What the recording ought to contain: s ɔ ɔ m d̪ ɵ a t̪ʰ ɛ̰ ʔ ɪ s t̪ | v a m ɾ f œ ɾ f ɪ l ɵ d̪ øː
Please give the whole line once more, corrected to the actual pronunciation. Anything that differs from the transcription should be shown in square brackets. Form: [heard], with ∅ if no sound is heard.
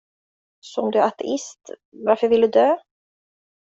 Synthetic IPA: s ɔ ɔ m d̪ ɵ a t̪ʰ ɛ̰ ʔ ɪ s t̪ | v a [∅] ɾ f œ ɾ [v] ɪ l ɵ d̪ øː

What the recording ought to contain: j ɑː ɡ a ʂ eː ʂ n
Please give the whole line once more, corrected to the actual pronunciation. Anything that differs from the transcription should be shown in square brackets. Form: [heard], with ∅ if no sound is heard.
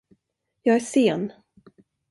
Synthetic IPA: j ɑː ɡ [æ] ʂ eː [∅] n

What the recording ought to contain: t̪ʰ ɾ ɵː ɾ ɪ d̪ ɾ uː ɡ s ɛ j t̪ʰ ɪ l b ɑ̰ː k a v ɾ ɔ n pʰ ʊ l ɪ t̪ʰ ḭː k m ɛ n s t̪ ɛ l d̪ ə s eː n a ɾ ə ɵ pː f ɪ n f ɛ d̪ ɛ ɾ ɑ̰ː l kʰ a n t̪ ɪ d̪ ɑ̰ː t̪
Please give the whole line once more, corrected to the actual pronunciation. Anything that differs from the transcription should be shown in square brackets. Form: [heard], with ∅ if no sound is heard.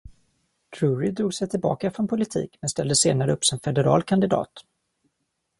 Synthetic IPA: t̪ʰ ɾ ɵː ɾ ɪ d̪ ɾ uː ɡ s ɛ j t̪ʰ ɪ l b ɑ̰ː k a [f] ɾ ɔ n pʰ ʊ l ɪ t̪ʰ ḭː k m ɛ n s t̪ ɛ l d̪ ə s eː n a ɾ ə ɵ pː [s] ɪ n f ɛ d̪ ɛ ɾ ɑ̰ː l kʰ a n [d̪] ɪ d̪ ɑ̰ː t̪

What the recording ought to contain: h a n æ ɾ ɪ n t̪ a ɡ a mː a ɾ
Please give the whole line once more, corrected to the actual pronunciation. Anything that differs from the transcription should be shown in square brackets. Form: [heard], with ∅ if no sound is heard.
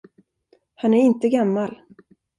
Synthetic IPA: h a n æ ɾ ɪ n t̪ [ə] ɡ a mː a [l]

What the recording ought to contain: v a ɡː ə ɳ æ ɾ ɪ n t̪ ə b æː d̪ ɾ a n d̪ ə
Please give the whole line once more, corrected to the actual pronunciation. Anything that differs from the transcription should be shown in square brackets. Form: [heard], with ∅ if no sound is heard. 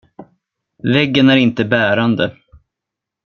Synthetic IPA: v [ɛ] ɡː ə [n] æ ɾ ɪ n t̪ ə b æː [∅] ɾ a n d̪ ə

